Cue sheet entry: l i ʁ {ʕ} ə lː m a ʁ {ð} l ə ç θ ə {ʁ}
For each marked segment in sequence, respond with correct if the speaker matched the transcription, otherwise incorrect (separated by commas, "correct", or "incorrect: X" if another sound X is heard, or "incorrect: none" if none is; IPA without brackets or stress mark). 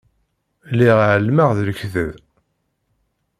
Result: correct, correct, incorrect: ð